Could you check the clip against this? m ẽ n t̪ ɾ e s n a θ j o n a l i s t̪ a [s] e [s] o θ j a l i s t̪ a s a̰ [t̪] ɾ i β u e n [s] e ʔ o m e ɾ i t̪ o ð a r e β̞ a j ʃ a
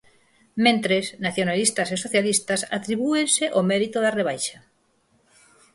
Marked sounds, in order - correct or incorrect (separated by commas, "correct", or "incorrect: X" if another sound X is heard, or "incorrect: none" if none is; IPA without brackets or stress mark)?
correct, correct, correct, correct